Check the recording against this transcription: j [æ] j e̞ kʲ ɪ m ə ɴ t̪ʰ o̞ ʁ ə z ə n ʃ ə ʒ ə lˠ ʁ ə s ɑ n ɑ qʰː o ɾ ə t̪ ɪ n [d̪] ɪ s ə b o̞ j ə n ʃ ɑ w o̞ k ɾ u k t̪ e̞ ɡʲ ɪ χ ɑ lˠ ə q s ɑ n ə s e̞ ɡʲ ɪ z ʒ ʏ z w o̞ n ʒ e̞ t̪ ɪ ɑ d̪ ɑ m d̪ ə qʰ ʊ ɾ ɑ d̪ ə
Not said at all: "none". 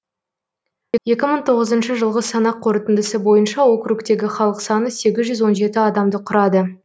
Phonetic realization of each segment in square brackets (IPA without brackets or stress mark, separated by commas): e, d̪